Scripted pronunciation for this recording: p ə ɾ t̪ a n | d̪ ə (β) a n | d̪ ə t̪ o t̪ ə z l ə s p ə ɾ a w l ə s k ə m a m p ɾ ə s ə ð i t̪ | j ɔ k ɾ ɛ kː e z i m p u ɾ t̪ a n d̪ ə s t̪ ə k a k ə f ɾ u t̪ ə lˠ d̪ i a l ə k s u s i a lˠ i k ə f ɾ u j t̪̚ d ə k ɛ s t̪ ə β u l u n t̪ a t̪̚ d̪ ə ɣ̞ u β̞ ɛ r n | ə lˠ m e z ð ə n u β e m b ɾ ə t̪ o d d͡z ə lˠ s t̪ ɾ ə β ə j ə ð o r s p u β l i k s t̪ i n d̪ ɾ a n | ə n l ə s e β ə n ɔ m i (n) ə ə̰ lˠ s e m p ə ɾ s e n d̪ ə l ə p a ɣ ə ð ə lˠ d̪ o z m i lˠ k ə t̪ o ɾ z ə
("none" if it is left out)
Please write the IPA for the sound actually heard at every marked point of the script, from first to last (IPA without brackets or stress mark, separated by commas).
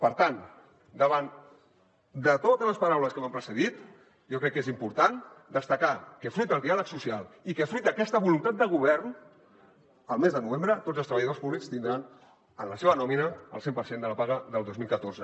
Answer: β, n